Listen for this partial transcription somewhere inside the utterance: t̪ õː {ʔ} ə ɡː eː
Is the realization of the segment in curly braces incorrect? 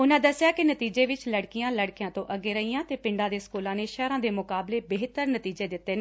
no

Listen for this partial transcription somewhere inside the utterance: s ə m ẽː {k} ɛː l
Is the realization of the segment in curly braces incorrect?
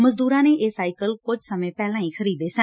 yes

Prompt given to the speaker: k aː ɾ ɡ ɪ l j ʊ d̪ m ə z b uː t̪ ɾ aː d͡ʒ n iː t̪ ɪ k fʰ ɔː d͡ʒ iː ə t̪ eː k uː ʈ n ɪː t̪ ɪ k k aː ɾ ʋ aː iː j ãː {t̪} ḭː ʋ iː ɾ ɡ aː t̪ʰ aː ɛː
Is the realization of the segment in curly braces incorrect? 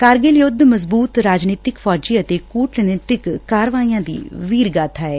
yes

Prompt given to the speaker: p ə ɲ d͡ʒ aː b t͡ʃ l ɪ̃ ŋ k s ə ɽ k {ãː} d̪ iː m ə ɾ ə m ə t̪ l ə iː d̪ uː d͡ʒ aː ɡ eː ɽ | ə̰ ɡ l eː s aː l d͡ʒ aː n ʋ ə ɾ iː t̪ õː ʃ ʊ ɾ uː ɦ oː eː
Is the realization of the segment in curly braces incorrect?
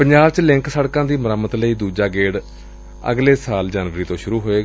no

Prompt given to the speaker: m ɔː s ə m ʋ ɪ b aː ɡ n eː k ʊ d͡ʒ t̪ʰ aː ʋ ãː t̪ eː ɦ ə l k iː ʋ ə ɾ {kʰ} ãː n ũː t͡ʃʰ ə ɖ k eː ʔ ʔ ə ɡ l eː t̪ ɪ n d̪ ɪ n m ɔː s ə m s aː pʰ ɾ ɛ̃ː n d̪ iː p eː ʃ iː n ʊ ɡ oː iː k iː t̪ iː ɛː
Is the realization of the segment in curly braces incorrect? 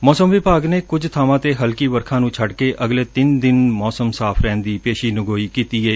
no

